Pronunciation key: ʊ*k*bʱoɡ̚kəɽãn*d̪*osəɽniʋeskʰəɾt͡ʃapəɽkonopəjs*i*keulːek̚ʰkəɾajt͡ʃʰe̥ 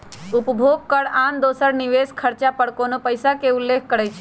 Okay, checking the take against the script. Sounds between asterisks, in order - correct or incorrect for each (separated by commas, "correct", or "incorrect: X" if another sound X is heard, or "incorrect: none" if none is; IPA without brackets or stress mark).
incorrect: p, correct, incorrect: a